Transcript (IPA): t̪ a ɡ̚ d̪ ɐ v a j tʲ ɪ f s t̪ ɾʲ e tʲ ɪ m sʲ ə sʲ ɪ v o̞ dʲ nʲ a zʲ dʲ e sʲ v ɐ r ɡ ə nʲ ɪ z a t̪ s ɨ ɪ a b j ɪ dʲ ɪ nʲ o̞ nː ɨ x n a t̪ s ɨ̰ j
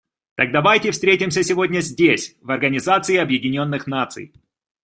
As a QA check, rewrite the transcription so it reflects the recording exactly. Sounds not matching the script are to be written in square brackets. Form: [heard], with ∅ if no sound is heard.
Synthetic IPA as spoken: t̪ a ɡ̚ d̪ ɐ v a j tʲ ɪ f s t̪ ɾʲ e tʲ ɪ m sʲ ə sʲ ɪ v o̞ dʲ nʲ [ə] zʲ dʲ e sʲ v ɐ r ɡ ə nʲ ɪ z a t̪ s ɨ ɪ [ɐ] b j ɪ dʲ ɪ nʲ o̞ nː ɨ x n a t̪ s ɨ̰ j